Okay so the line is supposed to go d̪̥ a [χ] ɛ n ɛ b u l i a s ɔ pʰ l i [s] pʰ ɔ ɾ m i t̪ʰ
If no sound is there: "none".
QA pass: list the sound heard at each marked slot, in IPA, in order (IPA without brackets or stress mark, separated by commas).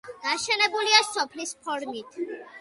ʃ, s